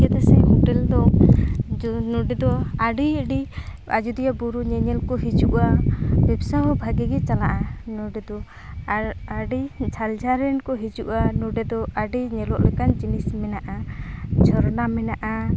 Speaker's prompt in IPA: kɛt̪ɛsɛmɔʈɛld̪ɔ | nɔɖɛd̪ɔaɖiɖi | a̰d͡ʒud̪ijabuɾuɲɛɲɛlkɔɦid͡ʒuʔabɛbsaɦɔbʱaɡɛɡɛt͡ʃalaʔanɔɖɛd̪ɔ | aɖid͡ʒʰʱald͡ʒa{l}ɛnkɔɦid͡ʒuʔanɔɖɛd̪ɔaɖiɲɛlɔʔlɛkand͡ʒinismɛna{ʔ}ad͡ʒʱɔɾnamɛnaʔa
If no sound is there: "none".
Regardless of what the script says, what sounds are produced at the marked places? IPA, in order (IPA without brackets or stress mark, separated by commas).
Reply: ɾ, ʔ